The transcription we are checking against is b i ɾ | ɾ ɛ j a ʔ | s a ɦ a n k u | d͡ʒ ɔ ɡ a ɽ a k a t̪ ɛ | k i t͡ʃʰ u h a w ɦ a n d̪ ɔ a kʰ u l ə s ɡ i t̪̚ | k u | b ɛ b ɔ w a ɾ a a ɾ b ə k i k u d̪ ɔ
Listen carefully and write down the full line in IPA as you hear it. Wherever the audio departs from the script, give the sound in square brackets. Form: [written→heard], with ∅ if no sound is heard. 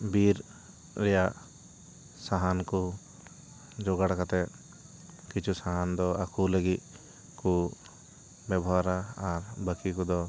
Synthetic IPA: b i ɾ | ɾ ɛ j a ʔ | s a ɦ a n k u | d͡ʒ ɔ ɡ a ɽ a k a t̪ ɛ | k i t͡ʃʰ u [h→s] a [w→∅] ɦ a n d̪ ɔ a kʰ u l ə [s→∅] ɡ i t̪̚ | k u | b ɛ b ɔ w a ɾ a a ɾ b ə k i k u d̪ ɔ